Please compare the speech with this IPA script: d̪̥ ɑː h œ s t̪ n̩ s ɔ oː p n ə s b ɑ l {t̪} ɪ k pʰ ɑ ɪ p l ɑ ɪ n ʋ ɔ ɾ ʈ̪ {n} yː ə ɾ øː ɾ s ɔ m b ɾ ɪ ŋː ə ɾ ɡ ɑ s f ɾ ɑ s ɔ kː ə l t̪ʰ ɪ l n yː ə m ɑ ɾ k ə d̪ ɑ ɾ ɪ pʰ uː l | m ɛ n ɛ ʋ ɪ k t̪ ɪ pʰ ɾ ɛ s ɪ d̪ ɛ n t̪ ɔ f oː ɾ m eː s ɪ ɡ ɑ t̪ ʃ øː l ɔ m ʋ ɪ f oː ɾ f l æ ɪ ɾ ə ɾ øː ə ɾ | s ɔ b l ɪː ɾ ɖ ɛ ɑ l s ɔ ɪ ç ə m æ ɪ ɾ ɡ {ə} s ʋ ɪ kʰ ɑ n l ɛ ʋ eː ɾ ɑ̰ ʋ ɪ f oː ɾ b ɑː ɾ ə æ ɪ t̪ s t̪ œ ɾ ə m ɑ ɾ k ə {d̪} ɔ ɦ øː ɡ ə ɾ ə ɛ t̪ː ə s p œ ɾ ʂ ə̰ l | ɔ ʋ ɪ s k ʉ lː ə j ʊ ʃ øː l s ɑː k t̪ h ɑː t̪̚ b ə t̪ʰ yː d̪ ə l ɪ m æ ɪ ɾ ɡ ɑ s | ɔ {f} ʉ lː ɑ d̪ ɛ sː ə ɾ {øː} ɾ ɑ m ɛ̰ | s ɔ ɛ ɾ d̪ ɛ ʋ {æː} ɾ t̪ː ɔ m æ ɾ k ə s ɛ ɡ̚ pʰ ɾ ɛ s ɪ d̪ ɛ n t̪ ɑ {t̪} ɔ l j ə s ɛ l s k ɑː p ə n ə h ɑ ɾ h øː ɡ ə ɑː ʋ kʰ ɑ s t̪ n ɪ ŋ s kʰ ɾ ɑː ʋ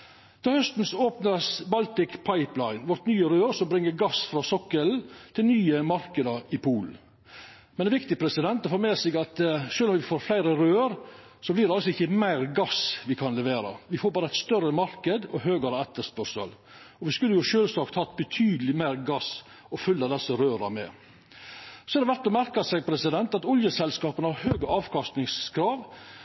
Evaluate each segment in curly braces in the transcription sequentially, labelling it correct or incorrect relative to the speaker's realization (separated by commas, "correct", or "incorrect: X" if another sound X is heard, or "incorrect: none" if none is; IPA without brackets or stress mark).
correct, correct, incorrect: ɑ, correct, correct, correct, incorrect: æ, correct